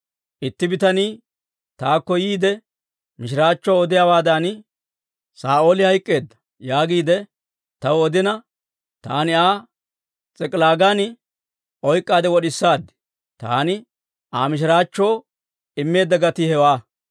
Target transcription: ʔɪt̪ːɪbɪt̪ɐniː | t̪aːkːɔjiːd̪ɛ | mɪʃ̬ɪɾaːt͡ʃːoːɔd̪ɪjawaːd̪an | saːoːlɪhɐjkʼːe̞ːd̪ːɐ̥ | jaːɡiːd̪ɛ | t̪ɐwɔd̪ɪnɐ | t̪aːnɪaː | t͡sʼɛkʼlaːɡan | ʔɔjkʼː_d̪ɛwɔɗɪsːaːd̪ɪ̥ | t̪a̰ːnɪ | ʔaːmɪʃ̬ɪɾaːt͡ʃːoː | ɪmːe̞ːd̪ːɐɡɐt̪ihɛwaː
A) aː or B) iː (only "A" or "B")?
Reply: A